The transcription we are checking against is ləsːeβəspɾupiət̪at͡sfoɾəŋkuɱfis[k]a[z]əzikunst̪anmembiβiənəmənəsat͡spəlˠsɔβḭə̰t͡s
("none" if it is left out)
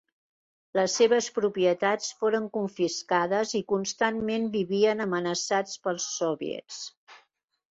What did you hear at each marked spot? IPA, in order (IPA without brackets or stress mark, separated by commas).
k, ð